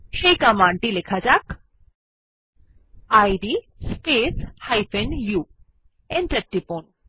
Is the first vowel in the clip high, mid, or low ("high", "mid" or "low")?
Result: mid